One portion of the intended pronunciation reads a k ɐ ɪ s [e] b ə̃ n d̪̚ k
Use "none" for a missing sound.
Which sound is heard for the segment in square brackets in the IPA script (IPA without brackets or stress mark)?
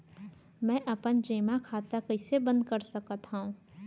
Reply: e